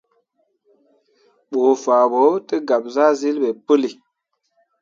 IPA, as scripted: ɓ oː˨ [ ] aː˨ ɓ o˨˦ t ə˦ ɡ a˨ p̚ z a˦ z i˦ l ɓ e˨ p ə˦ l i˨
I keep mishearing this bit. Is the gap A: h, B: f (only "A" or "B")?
B